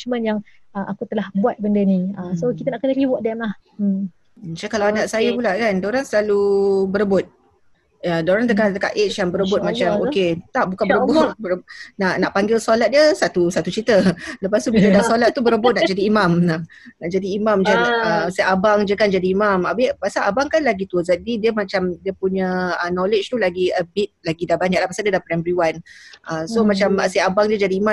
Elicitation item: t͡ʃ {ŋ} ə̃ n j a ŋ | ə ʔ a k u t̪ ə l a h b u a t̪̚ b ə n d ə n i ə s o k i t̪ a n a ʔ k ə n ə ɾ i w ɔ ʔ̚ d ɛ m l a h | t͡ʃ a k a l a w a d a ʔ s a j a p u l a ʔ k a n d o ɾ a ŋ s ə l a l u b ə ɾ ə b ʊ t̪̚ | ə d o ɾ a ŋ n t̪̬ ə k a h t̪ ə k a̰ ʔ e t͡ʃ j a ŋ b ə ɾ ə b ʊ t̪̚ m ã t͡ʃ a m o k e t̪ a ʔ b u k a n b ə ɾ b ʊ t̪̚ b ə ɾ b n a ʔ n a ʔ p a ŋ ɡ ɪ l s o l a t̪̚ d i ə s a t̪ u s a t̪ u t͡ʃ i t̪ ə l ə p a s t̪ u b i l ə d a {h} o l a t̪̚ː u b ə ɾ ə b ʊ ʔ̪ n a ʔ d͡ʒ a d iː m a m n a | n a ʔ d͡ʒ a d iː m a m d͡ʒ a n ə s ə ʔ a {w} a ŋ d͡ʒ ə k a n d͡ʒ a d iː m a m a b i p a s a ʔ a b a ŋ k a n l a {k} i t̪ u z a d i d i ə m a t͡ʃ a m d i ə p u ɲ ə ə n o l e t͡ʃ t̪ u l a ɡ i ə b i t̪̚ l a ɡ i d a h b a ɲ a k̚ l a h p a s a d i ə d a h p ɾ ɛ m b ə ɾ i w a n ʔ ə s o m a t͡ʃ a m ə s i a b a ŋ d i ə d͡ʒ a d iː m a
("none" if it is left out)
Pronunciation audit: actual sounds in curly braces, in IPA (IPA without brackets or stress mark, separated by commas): m, s, b, ɡ